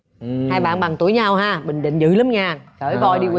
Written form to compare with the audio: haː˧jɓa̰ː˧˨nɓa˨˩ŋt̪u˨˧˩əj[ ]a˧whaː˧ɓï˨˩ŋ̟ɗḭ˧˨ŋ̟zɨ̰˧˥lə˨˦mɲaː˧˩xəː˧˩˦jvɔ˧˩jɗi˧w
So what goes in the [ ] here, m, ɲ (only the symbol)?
ɲ